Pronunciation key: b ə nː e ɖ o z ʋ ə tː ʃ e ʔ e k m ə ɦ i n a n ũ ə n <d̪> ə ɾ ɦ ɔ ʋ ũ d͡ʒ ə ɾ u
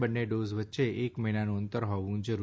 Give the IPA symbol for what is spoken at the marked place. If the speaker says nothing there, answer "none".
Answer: t̪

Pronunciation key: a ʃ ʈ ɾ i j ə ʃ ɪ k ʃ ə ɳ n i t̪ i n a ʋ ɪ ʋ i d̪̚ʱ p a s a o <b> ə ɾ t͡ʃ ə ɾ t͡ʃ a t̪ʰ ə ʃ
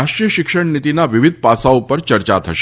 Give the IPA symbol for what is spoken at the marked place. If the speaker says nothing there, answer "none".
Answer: p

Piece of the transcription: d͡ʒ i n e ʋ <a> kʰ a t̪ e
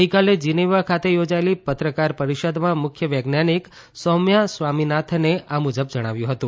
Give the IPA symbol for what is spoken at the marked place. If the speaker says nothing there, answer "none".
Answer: a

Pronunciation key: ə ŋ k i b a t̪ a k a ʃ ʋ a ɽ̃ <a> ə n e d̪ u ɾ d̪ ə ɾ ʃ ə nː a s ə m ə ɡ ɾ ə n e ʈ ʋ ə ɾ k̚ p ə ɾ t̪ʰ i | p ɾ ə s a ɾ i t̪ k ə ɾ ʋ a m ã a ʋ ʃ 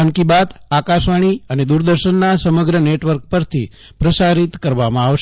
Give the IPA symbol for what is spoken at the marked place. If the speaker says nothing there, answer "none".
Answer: i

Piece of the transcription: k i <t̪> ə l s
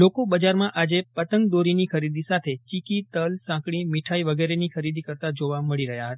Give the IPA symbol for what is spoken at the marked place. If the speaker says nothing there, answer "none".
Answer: t̪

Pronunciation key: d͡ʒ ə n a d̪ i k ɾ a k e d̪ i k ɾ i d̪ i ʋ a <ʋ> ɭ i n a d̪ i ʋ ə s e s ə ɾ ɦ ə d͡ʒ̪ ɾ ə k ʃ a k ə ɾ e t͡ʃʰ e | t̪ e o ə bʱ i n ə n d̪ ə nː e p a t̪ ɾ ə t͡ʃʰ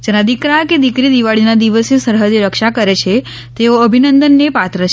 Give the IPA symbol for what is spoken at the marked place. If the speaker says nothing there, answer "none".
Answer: none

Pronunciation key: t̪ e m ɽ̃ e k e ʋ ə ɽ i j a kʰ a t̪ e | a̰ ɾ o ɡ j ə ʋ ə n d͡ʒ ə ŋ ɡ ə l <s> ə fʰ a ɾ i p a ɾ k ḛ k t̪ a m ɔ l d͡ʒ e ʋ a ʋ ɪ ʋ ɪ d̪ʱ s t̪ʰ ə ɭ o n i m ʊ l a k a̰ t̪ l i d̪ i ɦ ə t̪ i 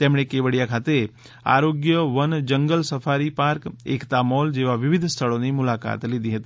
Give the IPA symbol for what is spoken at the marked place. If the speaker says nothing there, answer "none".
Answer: s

